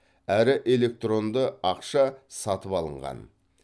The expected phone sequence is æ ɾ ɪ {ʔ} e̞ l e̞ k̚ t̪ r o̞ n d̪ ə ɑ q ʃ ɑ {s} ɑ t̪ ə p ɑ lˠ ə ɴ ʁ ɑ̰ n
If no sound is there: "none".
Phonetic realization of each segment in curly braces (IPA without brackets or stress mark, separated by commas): ʔ, s